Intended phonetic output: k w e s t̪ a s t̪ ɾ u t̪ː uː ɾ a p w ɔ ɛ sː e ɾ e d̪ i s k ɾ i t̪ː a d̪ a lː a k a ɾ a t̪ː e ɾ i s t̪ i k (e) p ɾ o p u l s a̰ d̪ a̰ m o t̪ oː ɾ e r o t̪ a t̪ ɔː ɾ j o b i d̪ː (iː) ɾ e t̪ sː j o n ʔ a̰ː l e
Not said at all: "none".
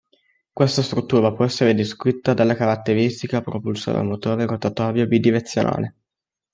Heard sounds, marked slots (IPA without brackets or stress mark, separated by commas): a, i